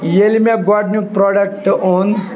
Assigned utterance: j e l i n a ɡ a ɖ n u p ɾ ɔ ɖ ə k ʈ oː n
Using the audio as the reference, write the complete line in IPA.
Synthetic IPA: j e l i m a ɡ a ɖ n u p ɾ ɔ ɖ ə k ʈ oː n